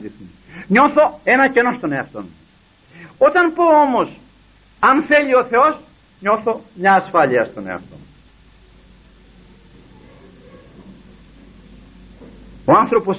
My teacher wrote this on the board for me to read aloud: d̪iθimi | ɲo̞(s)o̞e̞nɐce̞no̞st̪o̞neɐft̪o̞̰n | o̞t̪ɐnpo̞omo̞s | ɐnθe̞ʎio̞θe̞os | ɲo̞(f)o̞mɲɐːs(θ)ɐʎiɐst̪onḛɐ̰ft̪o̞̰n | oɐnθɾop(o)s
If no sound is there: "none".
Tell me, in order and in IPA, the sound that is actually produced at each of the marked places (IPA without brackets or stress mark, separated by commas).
θ, θ, f, o